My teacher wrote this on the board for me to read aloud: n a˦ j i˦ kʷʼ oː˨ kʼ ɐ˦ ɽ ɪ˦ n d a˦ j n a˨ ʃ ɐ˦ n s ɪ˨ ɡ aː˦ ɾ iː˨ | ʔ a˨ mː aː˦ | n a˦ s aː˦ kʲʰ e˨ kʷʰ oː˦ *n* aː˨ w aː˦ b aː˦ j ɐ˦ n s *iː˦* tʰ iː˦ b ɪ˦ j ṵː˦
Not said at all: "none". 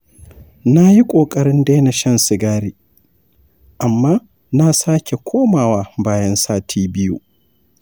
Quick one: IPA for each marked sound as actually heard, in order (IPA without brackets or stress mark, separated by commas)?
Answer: m, aː˦